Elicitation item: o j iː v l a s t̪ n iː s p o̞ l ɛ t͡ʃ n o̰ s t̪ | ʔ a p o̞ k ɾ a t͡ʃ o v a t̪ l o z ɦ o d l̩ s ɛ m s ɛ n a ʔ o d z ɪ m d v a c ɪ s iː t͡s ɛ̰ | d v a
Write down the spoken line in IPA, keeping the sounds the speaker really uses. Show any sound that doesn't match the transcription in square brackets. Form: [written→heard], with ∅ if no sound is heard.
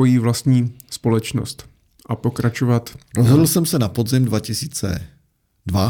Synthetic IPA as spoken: o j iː v l a s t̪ [n→ɲ] iː s p o̞ l ɛ t͡ʃ n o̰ s t̪ | ʔ a p o̞ k ɾ a t͡ʃ o v a t̪ [l→ɾ] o z ɦ o d l̩ s ɛ m s ɛ n a [ʔ→p] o d z ɪ m d v a c ɪ s iː t͡s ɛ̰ | d v a